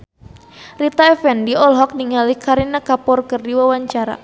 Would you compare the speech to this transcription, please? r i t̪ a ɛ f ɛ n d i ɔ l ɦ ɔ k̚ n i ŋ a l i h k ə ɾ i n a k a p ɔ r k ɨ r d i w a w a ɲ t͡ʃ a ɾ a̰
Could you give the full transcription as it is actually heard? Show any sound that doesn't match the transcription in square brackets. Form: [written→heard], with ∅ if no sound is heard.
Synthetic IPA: r i t̪ a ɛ f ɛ n d i ɔ l ɦ ɔ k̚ n i ŋ a l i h k [ə→a] ɾ i n a k a p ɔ r k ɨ r d i w a w a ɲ t͡ʃ a ɾ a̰